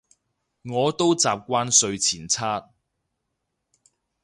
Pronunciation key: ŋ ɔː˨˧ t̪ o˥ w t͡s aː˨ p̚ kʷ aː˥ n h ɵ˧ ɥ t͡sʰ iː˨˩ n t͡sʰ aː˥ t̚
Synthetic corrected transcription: ŋ ɔː˨˧ t̪ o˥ w t͡s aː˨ p̚ kʷ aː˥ n s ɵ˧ ɥ t͡sʰ iː˨˩ n t͡sʰ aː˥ t̚